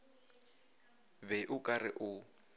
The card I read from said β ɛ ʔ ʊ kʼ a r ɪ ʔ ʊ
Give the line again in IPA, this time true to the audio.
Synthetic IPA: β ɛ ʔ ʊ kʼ a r ɪ ʔ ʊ